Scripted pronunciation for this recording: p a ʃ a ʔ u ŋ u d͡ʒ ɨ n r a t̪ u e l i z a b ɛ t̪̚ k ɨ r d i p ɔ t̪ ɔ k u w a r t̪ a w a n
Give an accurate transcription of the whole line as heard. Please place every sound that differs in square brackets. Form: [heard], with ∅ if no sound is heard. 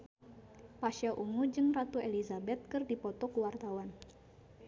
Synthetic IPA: p a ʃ a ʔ u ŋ u d͡ʒ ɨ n r a t̪ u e l i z a b ɛ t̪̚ k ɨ r d i p ɔ t̪ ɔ k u w a r t̪ a w a n